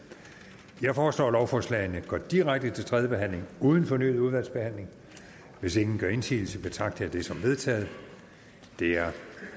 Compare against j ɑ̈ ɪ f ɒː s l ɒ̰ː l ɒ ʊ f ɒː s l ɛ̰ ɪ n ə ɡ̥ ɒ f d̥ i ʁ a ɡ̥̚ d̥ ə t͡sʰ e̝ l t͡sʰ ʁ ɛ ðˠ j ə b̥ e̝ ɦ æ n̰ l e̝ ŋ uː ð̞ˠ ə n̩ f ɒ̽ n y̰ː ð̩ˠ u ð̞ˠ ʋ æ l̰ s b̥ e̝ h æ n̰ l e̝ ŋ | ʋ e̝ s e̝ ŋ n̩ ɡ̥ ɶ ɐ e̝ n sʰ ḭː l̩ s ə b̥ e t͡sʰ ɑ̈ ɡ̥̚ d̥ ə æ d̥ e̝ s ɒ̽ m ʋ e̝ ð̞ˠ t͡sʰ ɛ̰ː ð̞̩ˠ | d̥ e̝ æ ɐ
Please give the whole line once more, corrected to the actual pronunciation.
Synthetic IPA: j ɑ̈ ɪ f ɒː s l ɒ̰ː l ɒ ʊ f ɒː s l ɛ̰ ɪ n ə ɡ̥ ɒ d̥ i ʁ a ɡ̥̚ d̥ ə t͡sʰ e̝ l t͡sʰ ʁ ɛ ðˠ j ə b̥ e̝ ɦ æ n̰ l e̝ ŋ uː ð̞ˠ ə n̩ f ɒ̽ n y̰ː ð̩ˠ u ð̞ˠ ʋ æ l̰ s b̥ e̝ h æ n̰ l e̝ ŋ | ʋ e̝ s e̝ ŋ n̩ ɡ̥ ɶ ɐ e̝ n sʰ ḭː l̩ s ə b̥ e t͡sʰ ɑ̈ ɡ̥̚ d̥ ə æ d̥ e̝ s ɒ̽ m ʋ e̝ ð̞ˠ t͡sʰ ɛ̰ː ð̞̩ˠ | d̥ e̝ æ ɐ

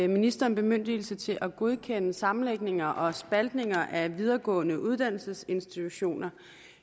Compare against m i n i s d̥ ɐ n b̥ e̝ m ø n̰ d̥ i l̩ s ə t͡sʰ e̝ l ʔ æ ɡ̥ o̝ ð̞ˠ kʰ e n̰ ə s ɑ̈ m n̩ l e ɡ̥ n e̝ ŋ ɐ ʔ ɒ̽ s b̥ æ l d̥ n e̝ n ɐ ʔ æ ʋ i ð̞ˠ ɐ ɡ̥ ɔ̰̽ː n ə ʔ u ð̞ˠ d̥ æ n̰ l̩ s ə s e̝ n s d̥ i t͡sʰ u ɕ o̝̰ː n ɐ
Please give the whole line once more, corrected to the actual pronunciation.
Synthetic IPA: m i n i s d̥ ɐ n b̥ e̝ m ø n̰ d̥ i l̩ s ə t͡sʰ e̝ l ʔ æ ɡ̥ o̝ ð̞ˠ kʰ e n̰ ə s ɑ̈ m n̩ l e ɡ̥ n e̝ ŋ ɐ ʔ ɒ̽ s b̥ æ l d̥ n e̝ ŋ ɐ ʔ æ ʋ i ð̞ˠ ɐ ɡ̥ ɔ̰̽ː n ə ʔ u ð̞ˠ d̥ æ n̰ l̩ s ə s e̝ n s d̥ i t͡sʰ u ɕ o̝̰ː n ɐ

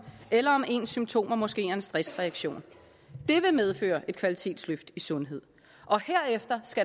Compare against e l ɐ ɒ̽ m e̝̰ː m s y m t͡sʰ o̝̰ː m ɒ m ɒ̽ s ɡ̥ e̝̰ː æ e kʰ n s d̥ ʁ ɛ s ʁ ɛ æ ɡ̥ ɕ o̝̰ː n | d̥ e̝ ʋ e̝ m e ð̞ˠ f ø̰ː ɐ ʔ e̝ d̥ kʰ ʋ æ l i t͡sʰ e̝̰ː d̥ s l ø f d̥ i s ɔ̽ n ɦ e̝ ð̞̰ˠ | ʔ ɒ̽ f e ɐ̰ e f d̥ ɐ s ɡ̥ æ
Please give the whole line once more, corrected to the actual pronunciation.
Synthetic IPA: e l ɐ ɒ̽ m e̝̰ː n s y m t͡sʰ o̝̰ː m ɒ m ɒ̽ s ɡ̥ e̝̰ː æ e n s d̥ ʁ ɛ s ʁ ɛ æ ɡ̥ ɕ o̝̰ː n | d̥ e̝ ʋ e̝ m e ð̞ˠ f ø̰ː ɐ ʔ e̝ d̥ kʰ ʋ æ l i t͡sʰ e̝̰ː d̥ s l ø f d̥ i s ɔ̽ n ɦ e̝ ð̞̰ˠ | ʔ ɒ̽ h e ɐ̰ e f d̥ ɐ s ɡ̥ æ

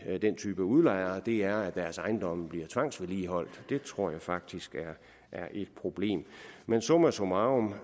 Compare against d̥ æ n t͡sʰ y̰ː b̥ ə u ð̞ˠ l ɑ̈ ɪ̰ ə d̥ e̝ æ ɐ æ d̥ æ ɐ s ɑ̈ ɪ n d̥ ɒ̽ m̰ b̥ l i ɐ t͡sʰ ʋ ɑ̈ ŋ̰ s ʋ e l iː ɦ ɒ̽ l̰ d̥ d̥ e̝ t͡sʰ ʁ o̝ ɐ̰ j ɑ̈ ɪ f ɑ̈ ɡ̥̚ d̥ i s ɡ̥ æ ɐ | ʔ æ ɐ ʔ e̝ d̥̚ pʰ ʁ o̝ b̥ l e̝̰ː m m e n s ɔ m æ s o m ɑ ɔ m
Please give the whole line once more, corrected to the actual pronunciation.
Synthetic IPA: d̥ e n t͡sʰ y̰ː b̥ ə u ð̞ˠ l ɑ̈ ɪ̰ ɐ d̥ e̝ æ ɐ æ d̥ æ ɐ s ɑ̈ ɪ n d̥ ɒ̽ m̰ b̥ l i ɐ t͡sʰ ʋ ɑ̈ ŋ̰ s ʋ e l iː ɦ ɒ̽ l̰ d̥ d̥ e̝ t͡sʰ ʁ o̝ ɐ̰ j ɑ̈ ɪ f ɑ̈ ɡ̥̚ d̥ i s ɡ̥ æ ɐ | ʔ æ ɐ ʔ e̝ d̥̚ pʰ ʁ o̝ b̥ l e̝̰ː m m e n s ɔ m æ s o m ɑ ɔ m

